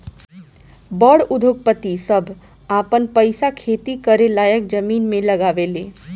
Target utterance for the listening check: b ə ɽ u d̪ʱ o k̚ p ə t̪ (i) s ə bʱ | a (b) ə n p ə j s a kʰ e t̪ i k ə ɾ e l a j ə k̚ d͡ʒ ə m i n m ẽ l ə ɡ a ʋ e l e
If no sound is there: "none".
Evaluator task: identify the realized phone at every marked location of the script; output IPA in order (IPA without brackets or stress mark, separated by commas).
i, p